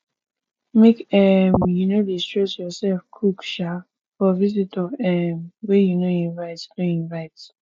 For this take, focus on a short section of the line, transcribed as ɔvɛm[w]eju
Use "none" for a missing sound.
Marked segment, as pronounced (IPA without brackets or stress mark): w